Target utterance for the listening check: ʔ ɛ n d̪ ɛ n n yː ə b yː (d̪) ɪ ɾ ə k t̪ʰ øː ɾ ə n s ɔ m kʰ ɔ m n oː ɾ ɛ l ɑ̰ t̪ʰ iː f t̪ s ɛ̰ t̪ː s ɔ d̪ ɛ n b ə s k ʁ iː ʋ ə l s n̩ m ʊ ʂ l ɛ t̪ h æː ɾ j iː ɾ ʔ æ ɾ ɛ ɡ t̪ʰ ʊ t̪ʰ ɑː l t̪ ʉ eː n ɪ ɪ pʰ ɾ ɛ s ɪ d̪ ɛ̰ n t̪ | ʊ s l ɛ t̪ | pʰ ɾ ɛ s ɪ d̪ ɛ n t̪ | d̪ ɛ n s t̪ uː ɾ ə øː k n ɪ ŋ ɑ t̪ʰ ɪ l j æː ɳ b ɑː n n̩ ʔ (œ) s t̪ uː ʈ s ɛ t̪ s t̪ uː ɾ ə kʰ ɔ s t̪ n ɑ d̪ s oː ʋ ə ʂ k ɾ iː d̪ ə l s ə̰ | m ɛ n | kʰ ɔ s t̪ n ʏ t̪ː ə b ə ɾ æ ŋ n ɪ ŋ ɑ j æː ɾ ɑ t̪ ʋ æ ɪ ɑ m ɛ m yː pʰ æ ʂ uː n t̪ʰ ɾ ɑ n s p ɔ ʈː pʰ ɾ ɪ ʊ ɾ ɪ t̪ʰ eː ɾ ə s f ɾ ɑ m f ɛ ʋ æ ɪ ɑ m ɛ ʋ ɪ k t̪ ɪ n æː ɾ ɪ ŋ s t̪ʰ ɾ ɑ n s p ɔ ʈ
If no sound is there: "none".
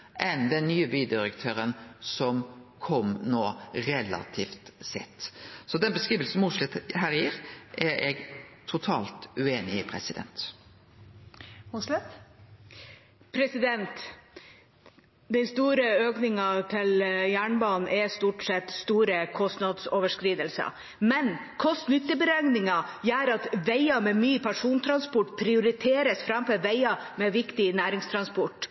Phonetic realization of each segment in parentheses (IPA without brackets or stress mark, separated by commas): d̪, ɛ